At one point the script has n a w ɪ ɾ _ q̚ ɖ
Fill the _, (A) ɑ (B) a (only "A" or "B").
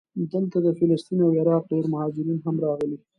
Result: A